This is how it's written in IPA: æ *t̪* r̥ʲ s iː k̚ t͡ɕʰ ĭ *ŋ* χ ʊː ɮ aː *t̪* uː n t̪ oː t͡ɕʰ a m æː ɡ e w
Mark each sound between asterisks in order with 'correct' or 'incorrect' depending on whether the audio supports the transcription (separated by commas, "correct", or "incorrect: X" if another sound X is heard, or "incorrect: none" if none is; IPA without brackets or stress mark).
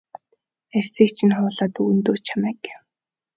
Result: incorrect: none, incorrect: n, correct